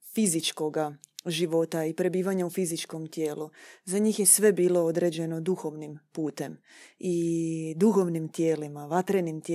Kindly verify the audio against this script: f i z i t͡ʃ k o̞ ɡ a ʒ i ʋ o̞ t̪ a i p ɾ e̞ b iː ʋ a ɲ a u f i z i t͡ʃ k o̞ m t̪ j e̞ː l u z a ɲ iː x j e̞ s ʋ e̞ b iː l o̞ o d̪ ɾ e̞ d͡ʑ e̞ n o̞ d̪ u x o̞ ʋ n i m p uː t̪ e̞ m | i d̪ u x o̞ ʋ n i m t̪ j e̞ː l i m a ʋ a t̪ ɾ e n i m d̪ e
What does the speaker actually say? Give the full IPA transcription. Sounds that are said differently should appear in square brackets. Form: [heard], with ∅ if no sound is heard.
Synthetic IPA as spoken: f i z i t͡ʃ k o̞ ɡ a ʒ i ʋ o̞ t̪ a i p ɾ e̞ b iː ʋ a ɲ a u f i z i t͡ʃ k o̞ m t̪ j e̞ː l u z a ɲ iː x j e̞ s ʋ e̞ b iː l o̞ o d̪ ɾ e̞ d͡ʑ e̞ n o̞ d̪ u x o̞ ʋ n i m p uː t̪ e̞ m | i d̪ u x o̞ ʋ n i m t̪ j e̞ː l i m a ʋ a t̪ ɾ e n i m [t̪] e